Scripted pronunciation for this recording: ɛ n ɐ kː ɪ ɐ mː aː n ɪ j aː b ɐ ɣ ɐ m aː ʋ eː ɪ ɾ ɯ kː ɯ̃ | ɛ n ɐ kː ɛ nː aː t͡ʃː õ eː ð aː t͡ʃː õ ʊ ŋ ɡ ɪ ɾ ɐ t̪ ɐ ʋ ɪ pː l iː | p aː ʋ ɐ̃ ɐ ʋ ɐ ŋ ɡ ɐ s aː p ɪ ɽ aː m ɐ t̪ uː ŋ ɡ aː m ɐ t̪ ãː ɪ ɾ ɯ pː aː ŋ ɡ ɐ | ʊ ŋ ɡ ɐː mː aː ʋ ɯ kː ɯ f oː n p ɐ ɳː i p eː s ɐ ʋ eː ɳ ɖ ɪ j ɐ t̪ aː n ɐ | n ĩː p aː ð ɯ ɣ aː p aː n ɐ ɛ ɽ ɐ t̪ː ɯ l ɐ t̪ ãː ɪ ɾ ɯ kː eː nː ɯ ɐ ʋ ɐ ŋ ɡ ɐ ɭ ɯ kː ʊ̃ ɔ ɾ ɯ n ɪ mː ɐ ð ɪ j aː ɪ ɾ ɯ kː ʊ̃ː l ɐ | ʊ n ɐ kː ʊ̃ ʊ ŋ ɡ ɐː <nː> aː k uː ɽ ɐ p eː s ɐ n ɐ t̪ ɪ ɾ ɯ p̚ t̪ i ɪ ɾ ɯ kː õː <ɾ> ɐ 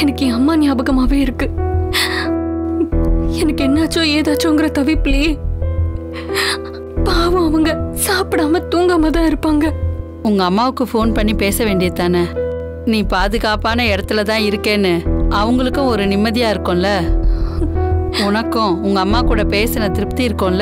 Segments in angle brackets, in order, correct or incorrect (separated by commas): incorrect, incorrect